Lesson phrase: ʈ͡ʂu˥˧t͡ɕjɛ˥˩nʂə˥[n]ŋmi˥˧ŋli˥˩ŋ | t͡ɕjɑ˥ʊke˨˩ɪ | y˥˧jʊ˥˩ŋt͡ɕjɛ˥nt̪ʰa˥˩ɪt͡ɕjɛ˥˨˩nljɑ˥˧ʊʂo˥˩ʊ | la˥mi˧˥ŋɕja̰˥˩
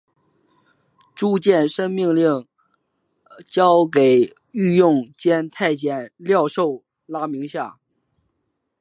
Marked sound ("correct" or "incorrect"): incorrect